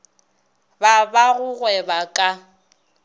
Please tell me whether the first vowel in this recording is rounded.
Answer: no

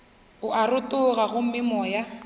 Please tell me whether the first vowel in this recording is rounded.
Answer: yes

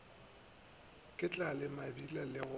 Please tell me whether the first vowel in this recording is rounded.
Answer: no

